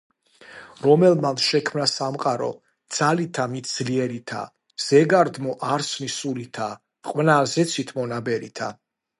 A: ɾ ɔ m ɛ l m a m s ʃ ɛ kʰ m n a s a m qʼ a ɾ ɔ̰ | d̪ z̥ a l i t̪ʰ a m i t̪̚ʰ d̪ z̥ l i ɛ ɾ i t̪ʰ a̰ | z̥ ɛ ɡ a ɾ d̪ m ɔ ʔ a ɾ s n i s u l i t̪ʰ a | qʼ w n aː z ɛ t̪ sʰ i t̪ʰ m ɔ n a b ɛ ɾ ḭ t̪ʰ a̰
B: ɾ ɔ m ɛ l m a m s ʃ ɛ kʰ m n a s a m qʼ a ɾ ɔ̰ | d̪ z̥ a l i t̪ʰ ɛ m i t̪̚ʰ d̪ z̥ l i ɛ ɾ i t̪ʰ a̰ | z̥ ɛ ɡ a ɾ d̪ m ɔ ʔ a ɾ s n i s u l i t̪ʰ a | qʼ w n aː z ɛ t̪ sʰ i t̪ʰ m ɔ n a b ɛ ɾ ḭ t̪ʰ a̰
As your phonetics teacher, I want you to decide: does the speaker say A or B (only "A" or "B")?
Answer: A